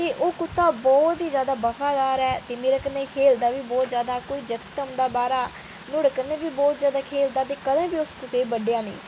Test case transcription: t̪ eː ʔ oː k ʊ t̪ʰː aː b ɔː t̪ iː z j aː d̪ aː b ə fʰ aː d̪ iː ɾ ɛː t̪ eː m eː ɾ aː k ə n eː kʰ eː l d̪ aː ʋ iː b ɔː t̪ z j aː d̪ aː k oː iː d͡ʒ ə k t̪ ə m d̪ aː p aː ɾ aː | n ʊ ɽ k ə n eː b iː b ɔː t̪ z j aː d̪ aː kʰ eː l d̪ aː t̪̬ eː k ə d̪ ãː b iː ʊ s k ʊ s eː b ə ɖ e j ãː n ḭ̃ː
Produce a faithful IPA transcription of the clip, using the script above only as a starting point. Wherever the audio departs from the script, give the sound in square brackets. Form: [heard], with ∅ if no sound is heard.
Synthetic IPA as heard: t̪ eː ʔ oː k ʊ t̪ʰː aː b ɔː t̪ iː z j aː d̪ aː b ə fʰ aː d̪ [aː] ɾ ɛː t̪ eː m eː ɾ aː k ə n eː kʰ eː l d̪ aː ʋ iː b ɔː t̪ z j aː d̪ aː k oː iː d͡ʒ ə k t̪ ə m d̪ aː [b] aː ɾ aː | n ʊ ɽ k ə n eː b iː b ɔː t̪ z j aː d̪ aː kʰ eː l d̪ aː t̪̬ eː k ə d̪ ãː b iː ʊ s k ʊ s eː b ə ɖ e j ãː n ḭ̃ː

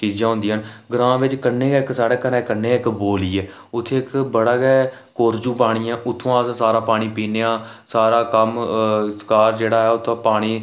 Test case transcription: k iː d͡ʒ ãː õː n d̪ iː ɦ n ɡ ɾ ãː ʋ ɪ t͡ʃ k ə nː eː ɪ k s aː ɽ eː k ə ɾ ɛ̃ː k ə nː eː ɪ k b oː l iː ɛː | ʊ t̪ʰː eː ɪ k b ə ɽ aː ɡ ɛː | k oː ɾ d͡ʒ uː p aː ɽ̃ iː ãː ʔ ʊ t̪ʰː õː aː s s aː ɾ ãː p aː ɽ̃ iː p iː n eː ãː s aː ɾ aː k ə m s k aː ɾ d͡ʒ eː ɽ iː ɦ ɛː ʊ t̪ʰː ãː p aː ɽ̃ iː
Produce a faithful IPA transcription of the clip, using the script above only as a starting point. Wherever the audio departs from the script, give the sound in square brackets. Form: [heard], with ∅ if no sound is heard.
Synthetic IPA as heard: k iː d͡ʒ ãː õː n d̪ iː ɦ n ɡ ɾ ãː ʋ ɪ t͡ʃ k ə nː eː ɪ k s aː ɽ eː k ə ɾ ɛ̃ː k ə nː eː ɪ k b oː l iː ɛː | ʊ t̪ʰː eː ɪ k b ə ɽ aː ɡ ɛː | k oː ɾ d͡ʒ uː p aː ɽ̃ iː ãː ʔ ʊ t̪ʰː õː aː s s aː ɾ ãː p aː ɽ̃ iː p iː n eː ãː s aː ɾ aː k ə m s k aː ɾ d͡ʒ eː ɽ [aː] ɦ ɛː ʊ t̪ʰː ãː p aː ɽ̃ iː

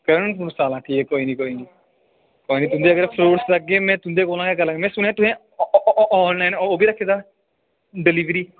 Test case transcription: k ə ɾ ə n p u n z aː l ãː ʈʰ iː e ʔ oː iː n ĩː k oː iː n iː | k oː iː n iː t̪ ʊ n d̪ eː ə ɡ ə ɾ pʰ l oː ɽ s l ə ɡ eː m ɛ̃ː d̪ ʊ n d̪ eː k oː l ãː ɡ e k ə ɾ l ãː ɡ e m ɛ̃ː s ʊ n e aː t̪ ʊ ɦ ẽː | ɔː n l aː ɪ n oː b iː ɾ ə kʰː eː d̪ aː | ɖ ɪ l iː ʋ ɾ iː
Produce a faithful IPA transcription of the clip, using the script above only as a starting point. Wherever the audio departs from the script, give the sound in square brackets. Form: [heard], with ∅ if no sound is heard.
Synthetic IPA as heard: k ə ɾ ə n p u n [s] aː l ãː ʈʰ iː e [k] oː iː n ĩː k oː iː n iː | k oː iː n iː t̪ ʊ n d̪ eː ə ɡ ə ɾ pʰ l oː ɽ s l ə ɡ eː m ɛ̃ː [t̪] ʊ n d̪ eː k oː l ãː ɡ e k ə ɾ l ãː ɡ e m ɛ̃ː s ʊ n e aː t̪ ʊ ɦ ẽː | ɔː n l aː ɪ n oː b iː ɾ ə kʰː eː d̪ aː | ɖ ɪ l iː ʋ ɾ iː

